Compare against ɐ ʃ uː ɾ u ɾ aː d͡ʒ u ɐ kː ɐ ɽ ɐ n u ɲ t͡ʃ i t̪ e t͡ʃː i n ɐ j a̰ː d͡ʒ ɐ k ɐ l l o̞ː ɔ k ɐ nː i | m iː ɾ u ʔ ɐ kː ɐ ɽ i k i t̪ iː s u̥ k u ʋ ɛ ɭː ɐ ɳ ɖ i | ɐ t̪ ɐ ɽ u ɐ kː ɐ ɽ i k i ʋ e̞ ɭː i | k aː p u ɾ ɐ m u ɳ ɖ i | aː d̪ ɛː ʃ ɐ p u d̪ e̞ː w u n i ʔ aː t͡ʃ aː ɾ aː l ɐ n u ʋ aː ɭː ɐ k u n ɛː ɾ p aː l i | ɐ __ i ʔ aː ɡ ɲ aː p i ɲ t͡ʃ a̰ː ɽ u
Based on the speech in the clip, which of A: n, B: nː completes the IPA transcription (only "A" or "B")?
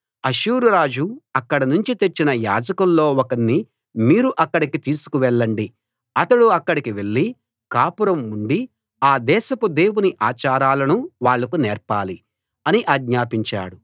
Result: A